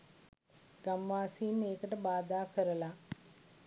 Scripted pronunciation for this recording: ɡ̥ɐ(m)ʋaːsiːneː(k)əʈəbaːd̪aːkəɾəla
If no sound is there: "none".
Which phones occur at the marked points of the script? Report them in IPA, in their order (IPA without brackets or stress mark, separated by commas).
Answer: m, k